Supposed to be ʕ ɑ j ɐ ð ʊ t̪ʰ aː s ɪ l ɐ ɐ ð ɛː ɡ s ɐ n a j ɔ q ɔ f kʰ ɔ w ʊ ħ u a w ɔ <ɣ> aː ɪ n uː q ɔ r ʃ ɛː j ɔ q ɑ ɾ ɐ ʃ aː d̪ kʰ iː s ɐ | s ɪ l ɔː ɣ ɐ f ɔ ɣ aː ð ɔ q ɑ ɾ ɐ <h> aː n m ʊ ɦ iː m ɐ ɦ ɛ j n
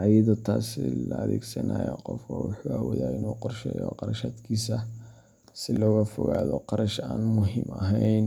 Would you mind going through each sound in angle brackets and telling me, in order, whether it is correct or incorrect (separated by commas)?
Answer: incorrect, incorrect